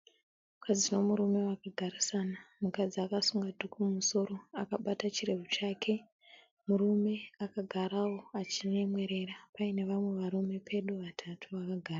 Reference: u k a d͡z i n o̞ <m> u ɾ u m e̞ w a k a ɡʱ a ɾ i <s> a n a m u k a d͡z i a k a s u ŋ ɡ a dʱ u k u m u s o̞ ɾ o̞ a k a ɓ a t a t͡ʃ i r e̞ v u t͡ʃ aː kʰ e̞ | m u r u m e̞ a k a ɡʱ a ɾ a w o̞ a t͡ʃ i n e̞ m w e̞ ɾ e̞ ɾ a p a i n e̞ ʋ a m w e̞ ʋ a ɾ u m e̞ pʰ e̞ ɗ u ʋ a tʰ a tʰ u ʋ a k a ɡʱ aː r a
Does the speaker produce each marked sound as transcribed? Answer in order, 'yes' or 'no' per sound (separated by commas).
yes, yes